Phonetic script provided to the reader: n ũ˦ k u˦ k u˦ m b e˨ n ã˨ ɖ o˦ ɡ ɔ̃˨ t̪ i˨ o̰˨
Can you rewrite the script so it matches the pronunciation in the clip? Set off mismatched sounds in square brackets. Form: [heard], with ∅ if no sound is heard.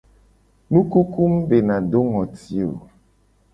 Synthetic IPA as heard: n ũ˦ k u˦ k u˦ m b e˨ n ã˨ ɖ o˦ [ŋ] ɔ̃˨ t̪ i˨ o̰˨

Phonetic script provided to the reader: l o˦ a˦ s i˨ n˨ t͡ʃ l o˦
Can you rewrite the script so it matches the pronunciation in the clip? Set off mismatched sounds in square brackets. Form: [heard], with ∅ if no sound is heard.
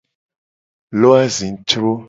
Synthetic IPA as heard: l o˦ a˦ [z] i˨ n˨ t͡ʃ [ɾ] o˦

